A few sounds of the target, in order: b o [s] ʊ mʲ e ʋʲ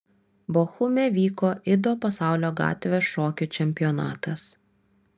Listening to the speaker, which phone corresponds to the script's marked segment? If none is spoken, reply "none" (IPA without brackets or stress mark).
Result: x